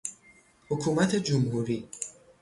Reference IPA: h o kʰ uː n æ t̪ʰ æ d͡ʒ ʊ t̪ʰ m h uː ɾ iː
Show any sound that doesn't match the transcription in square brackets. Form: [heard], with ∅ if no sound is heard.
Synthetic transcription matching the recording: h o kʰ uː [m] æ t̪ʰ [e] d͡ʒ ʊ [∅] m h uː ɾ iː